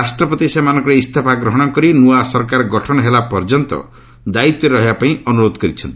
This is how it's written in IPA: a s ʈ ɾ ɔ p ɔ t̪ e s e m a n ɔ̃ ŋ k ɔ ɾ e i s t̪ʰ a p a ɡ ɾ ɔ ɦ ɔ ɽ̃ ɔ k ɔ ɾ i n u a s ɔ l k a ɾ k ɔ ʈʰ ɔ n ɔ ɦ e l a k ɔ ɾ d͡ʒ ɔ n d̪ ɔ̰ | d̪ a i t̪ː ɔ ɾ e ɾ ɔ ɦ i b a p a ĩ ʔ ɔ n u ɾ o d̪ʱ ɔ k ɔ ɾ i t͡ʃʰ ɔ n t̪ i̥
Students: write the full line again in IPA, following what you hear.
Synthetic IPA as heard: a s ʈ ɾ ɔ p ɔ t̪ i s e m a n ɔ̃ ŋ k ɔ ɾ e i s t̪ʰ a p a ɡ ɾ ɔ ɦ ɔ ɽ̃ ɔ k ɔ ɾ i n u a s ɔ ɾ k a ɾ ɡ ɔ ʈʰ ɔ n ɔ ɦ e l a p ɔ ɾ d͡ʒ ɔ n t̪ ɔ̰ | d̪ a i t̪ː ɔ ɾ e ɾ ɔ ɦ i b a p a ĩ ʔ ɔ n u ɾ o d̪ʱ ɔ k ɔ ɾ i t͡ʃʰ ɔ n t̪ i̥